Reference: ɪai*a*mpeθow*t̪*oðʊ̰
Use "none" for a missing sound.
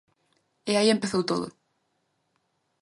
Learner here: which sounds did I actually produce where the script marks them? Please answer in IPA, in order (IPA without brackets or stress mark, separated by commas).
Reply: e, t̪